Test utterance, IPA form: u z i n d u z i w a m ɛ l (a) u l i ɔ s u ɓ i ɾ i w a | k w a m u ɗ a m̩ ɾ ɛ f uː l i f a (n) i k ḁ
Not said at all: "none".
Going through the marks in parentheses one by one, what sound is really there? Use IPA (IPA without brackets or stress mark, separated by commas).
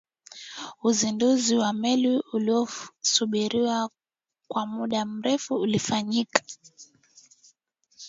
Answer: i, ɲ